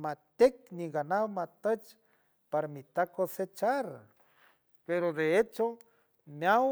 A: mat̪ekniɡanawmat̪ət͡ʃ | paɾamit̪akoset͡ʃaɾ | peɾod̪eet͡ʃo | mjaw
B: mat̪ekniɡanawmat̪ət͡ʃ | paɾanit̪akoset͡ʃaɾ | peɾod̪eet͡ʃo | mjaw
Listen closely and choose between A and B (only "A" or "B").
A